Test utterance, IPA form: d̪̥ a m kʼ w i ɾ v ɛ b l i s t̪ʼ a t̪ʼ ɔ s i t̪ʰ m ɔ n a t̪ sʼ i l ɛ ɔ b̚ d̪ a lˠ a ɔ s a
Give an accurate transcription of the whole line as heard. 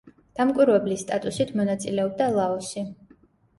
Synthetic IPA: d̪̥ a m kʼ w i ɾ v ɛ b l i s t̪ʼ a t̪ʼ u s i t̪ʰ m ɔ n a t̪ sʼ i l ɛ ɔ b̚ d̪ a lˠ a ɔ s i